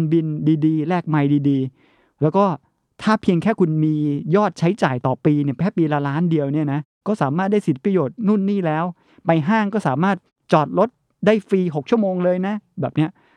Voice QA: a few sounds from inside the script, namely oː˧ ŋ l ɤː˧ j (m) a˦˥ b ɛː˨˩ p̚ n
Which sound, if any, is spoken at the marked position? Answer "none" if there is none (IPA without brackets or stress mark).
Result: n